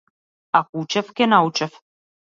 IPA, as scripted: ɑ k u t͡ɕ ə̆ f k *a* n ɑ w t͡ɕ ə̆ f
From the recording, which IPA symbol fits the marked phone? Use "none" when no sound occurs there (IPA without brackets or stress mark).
e